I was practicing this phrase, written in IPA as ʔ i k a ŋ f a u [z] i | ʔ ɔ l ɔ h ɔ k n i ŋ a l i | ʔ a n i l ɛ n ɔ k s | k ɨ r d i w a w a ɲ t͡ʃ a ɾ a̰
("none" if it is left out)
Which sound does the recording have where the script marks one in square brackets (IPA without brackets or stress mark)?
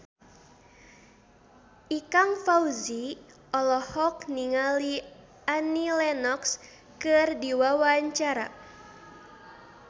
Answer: z